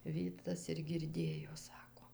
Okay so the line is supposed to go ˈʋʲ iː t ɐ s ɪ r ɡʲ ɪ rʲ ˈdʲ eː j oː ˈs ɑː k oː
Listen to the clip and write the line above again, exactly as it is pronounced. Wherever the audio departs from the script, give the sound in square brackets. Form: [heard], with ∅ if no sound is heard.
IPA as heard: ˈʋʲ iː t ɐ s ɪ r ɡʲ ɪ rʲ ˈdʲ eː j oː ˈs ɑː k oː